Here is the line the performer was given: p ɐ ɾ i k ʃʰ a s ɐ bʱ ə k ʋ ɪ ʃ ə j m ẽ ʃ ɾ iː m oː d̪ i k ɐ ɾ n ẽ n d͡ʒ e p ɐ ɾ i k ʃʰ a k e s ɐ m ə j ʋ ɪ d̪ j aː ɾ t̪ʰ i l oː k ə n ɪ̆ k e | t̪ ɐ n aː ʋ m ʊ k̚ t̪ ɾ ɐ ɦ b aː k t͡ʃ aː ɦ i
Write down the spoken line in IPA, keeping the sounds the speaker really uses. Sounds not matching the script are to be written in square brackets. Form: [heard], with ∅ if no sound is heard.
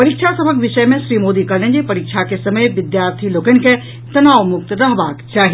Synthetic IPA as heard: p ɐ ɾ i k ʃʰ a s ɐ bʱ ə k ʋ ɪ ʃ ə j m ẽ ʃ ɾ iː m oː d̪ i k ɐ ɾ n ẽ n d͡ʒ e p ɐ ɾ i k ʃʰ a k e s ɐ m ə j ʋ ɪ d̪ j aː ɾ t̪ʰ i l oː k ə n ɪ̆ k e | t̪ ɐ n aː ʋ m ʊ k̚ t̪ ɾ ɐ ɦ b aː k t͡ʃ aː ɦ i